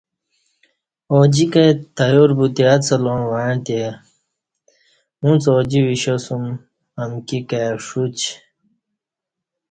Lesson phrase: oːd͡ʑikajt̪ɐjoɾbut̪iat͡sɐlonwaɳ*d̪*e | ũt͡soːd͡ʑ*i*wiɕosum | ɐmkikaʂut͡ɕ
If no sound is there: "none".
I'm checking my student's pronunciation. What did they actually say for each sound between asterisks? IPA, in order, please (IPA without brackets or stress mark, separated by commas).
t̪, i